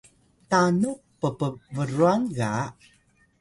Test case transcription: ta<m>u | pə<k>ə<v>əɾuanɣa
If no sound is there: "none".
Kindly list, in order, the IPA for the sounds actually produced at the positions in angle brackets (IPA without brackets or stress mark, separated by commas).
n, p, v